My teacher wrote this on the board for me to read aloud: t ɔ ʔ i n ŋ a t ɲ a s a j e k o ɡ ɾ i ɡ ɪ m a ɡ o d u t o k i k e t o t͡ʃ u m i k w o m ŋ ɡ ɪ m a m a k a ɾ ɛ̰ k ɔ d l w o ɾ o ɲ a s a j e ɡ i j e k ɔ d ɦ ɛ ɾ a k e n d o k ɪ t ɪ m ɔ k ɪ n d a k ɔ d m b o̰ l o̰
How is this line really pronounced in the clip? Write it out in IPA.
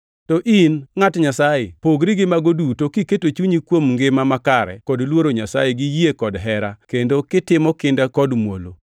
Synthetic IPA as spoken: t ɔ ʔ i n ŋ a t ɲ a s a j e p o ɡ ɾ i ɡ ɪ m a ɡ o d u t o k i k e t o t͡ʃ u ɲ i k w o m ŋ ɡ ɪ m a m a k a ɾ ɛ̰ k ɔ d l w o ɾ o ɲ a s a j e ɡ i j e k ɔ d ɦ ɛ ɾ a k e n d o k ɪ t ɪ m ɔ k ɪ n d a k ɔ d m w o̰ l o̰

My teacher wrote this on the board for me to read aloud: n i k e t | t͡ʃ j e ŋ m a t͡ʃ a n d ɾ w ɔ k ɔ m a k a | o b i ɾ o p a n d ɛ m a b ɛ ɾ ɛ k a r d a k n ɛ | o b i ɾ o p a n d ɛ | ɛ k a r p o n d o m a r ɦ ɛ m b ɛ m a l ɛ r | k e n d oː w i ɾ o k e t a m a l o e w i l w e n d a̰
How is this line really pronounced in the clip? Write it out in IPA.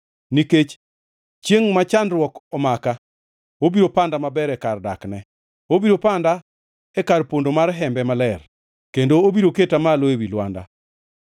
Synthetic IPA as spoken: n i k e t͡ʃ | t͡ʃ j e ŋ m a t͡ʃ a n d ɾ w ɔ k ɔ m a k a | o b i ɾ o p a n d a m a b ɛ ɾ ɛ k a r d a k n ɛ | o b i ɾ o p a n d a | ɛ k a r p o n d o m a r ɦ ɛ m b ɛ m a l ɛ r | k e n d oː b i ɾ o k e t a m a l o e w i l w a n d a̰

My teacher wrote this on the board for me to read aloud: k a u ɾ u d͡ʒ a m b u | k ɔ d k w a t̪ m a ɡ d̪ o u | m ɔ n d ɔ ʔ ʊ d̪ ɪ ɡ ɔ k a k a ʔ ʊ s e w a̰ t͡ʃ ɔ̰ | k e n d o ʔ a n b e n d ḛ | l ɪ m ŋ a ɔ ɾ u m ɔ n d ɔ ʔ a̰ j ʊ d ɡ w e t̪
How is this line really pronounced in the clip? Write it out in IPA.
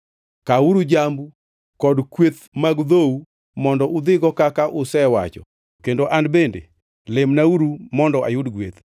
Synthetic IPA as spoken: k a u ɾ u d͡ʒ a m b u | k ɔ d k w e t̪ m a ɡ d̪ o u | m ɔ n d ɔ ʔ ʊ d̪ ɪ ɡ ɔ k a k a ʔ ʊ s ɛ w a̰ t͡ʃ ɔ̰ | k e n d o ʔ a n b e n d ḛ | l ɪ m n a u ɾ u m ɔ n d ɔ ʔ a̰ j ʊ d ɡ w e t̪

